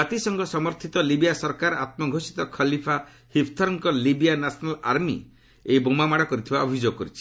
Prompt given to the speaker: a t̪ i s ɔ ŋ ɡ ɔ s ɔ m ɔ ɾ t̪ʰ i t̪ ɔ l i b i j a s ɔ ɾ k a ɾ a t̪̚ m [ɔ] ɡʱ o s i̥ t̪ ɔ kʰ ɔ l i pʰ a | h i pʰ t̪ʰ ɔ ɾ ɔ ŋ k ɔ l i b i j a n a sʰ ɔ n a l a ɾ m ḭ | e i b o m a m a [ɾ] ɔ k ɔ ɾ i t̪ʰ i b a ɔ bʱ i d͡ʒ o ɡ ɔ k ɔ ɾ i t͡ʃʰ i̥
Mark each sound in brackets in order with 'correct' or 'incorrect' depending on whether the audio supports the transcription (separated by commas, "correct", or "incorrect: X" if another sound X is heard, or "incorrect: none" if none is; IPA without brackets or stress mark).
correct, incorrect: ɽ